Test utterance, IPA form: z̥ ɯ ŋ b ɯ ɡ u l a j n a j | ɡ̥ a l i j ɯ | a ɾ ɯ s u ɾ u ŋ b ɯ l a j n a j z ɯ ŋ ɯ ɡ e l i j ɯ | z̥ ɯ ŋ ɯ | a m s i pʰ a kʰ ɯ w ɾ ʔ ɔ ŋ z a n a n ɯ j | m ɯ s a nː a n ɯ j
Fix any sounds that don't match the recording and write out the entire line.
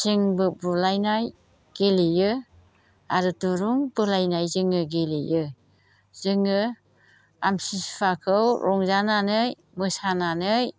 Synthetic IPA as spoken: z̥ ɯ ŋ b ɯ b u l a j n a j | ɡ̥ e l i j ɯ | a ɾ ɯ t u ɾ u ŋ b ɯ l a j n a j z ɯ ŋ ɯ ɡ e l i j ɯ | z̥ ɯ ŋ ɯ | a m s i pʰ a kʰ ɯ w ɾ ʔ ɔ ŋ z a n a n ɯ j | m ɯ s a n a n ɯ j